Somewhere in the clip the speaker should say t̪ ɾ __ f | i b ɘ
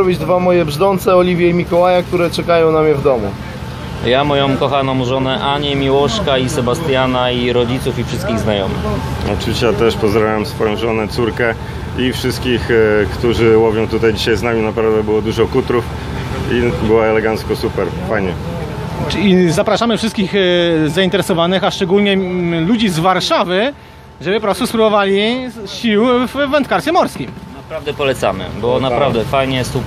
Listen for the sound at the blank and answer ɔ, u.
u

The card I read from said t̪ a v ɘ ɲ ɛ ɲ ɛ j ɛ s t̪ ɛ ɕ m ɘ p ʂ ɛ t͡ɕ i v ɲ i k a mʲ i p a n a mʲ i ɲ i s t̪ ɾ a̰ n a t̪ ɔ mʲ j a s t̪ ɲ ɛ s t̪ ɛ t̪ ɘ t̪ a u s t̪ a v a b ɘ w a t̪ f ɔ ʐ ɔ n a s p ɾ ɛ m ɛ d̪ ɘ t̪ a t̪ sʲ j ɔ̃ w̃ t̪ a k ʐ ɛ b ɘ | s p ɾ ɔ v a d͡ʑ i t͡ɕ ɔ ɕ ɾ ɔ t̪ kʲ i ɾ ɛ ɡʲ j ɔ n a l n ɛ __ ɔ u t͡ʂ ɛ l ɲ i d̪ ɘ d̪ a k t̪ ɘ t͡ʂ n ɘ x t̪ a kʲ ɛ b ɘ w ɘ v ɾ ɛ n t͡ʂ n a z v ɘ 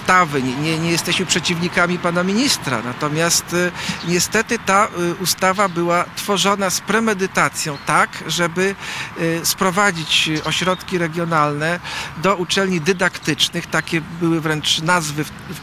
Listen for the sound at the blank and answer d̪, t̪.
d̪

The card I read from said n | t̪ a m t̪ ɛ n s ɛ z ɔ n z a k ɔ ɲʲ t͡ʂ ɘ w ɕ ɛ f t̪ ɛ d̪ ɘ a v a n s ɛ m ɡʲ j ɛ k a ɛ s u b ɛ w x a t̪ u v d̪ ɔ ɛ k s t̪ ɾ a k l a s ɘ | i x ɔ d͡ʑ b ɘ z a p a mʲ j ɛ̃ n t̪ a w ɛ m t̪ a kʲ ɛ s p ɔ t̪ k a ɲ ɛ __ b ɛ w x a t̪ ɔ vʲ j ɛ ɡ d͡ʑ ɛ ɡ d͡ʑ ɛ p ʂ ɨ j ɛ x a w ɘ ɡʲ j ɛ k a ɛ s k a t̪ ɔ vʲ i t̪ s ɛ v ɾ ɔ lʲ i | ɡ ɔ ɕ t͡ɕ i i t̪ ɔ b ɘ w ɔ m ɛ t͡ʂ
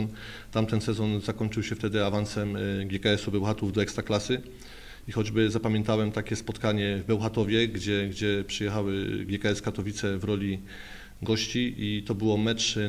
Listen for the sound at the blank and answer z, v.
v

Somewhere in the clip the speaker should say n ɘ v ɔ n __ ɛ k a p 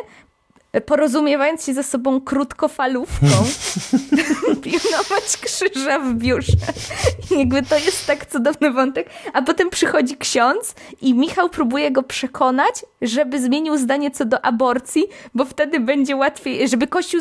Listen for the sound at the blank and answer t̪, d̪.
t̪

